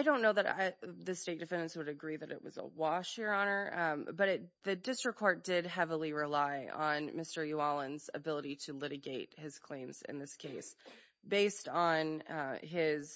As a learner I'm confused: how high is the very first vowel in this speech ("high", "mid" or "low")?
low